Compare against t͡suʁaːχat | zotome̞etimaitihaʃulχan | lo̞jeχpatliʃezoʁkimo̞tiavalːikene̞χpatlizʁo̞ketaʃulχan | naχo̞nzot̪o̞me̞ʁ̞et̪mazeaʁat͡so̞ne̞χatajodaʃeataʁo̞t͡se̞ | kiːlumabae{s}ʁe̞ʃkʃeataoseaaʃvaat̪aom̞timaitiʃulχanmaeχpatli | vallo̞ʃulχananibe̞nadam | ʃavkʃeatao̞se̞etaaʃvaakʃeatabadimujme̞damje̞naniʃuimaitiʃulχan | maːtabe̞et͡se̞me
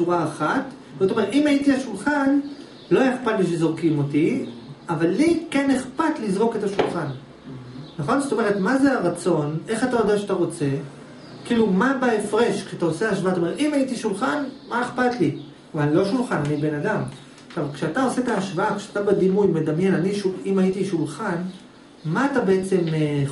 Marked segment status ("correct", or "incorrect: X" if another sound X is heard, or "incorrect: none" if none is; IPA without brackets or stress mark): incorrect: f